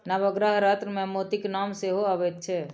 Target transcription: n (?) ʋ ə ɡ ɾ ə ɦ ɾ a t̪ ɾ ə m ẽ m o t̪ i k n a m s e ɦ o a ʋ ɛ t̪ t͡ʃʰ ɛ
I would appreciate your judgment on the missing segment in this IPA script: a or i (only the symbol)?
a